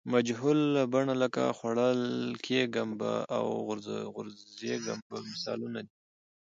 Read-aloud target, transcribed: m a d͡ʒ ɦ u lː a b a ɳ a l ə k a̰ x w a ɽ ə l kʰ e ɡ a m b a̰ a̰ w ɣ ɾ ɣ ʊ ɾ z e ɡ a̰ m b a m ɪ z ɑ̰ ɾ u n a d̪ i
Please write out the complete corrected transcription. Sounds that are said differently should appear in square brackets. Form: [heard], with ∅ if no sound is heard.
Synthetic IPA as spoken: m a d͡ʒ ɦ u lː a b a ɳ a l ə k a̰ x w a ɽ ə l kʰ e ɡ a m b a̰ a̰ w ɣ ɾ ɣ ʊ ɾ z e ɡ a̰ m b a m ɪ [s] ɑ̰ [l] u n a d̪ i